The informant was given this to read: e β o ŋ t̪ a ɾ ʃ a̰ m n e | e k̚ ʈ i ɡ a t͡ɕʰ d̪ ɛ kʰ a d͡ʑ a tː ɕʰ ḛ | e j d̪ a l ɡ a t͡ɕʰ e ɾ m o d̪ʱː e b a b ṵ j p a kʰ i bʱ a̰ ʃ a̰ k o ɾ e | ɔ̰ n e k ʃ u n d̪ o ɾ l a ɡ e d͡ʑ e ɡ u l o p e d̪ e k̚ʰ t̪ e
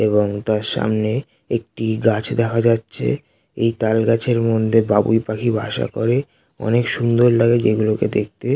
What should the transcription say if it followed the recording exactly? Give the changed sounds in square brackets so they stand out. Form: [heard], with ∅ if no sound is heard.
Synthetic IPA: e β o ŋ t̪ a ɾ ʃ a̰ m n e | e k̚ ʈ i ɡ a t͡ɕʰ d̪ ɛ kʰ a d͡ʑ a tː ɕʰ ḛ | e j [t̪] a l ɡ a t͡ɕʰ e ɾ m o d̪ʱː e b a b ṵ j p a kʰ i bʱ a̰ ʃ a̰ k o ɾ e | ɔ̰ n e k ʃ u n d̪ o ɾ l a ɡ e d͡ʑ e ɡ u l o [k] e d̪ e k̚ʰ t̪ e